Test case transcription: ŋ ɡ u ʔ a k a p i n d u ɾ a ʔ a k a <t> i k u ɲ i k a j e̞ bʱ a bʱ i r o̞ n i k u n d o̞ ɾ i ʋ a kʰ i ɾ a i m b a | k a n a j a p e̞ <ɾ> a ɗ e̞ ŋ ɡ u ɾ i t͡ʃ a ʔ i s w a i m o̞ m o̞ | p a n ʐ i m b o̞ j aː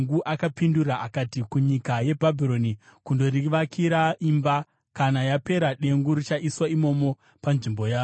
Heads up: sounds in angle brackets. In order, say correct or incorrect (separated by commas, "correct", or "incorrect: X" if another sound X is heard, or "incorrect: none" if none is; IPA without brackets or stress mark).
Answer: correct, correct